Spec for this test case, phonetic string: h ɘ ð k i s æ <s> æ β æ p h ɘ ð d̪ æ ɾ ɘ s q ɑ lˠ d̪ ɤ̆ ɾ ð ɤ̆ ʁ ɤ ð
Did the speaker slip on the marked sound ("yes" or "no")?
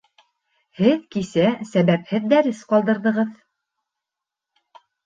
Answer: no